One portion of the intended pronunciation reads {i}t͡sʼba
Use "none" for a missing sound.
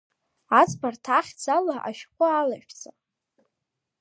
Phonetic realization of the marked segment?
a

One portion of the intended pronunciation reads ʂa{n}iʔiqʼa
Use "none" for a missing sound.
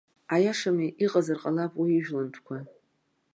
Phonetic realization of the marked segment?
m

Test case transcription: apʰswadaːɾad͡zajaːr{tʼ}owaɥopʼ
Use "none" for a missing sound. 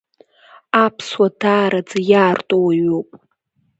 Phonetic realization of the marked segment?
tʼ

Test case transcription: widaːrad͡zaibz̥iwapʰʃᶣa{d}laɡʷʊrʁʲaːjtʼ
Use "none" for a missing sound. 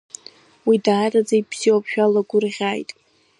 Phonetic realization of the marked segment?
none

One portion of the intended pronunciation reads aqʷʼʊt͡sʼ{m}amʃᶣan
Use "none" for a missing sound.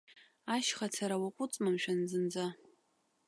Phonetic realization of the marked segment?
m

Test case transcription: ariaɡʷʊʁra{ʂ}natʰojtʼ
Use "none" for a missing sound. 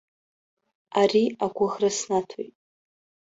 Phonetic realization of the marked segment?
s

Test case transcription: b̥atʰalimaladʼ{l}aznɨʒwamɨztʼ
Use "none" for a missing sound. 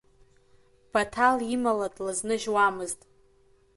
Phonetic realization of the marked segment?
l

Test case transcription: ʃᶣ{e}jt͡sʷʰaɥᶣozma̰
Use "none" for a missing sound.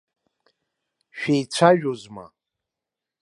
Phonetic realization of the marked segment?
e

